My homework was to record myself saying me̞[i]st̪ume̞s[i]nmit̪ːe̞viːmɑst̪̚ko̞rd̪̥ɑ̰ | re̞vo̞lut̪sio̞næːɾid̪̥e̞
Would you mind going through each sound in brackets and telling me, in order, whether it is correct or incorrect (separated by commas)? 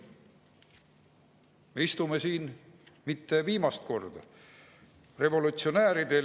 correct, incorrect